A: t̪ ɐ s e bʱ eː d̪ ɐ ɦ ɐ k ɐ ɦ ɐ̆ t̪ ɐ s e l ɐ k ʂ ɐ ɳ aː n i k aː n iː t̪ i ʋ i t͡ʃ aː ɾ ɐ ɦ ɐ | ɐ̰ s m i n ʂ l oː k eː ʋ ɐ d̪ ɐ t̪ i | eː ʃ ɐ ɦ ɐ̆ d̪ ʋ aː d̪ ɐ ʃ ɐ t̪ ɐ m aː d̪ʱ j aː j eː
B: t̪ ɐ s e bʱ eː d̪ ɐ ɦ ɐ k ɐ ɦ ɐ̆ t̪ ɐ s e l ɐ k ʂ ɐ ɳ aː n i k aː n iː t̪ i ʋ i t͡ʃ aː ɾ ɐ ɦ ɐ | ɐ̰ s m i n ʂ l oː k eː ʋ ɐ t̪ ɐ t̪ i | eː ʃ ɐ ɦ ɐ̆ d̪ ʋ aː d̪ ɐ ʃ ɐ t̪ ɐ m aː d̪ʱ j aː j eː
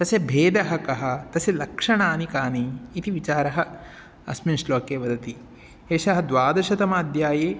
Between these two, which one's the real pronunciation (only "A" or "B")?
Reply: A